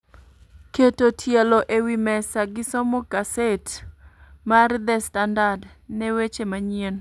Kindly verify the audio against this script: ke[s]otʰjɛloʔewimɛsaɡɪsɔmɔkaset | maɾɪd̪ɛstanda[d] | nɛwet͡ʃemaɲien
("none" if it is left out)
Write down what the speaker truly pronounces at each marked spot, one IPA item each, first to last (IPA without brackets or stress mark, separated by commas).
t, d